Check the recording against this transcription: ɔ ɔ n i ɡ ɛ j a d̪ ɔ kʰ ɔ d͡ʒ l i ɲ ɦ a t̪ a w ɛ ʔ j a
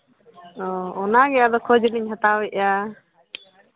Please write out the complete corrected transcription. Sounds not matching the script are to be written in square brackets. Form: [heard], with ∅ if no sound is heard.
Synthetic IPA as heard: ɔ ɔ n [a] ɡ ɛ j a d̪ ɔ kʰ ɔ d͡ʒ l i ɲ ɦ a t̪ a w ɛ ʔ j a